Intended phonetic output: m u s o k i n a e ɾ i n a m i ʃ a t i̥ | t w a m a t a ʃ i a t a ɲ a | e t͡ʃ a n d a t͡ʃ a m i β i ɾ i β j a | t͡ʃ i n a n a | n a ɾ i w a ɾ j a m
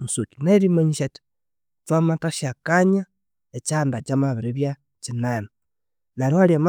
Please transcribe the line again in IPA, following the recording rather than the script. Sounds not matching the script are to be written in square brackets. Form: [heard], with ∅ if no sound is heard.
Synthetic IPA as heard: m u s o k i n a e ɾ i [m] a [ɲ] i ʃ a t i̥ | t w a m a t a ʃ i a [k] a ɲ a | e t͡ʃ a n d a t͡ʃ a m [a] β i ɾ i β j a | t͡ʃ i n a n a | n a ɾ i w a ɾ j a m